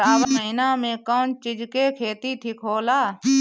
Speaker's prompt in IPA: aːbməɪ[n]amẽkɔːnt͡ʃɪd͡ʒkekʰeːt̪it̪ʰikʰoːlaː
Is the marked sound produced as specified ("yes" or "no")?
yes